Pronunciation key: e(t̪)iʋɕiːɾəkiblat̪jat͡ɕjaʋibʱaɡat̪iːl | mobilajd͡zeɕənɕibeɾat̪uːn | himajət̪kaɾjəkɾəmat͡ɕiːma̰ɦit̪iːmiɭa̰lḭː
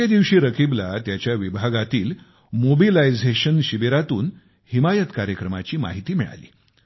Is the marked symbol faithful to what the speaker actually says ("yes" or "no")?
no